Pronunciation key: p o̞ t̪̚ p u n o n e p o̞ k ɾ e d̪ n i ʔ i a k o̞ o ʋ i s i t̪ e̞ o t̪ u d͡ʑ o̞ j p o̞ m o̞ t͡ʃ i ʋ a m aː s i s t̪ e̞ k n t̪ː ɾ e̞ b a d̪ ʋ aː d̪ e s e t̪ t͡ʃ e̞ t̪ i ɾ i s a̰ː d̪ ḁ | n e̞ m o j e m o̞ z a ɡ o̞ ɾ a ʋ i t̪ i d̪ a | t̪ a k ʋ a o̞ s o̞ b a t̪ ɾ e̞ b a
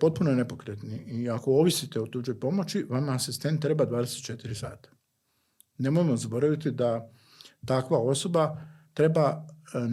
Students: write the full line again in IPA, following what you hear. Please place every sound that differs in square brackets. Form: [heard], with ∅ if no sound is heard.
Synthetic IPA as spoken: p o̞ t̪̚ p u n o n e p o̞ k ɾ e [t̪] n i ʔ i a k o̞ o ʋ i s i t̪ e̞ o t̪ u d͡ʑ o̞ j p o̞ m o̞ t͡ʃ i ʋ a m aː s i s t̪ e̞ [∅] n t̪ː ɾ e̞ b a d̪ ʋ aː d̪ e s e t̪ t͡ʃ e̞ t̪ i ɾ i s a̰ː [t̪] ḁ | n e̞ m o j e m o̞ z a [b] o̞ ɾ a ʋ i t̪ i d̪ a | t̪ a k ʋ a o̞ s o̞ b a t̪ ɾ e̞ b a